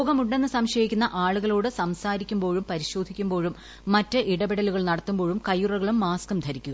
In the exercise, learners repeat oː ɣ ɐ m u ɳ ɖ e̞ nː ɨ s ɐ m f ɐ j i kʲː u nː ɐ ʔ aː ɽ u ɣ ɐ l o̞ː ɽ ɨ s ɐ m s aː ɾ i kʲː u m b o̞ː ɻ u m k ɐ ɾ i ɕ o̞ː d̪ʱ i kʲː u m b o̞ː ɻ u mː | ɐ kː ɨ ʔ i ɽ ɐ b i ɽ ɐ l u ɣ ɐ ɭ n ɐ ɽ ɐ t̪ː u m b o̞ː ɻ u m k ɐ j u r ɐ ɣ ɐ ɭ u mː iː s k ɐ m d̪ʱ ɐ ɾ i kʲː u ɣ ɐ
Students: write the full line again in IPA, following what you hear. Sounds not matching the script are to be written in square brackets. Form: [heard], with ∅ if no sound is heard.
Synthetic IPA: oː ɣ ɐ m u ɳ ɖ e̞ nː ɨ s ɐ m [ɕ] ɐ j i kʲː u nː ɐ ʔ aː [ɭ] u ɣ ɐ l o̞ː ɽ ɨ s ɐ m s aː ɾ i kʲː u m b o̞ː ɻ u m [p] ɐ ɾ i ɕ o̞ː d̪ʱ i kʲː u m b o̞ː ɻ u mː | ɐ [tː] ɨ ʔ i ɽ ɐ b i ɽ ɐ l u ɣ ɐ ɭ n ɐ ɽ ɐ t̪ː u m b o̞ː ɻ u m k ɐ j u r ɐ ɣ ɐ ɭ u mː [aː] s k ɐ m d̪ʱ ɐ ɾ i kʲː u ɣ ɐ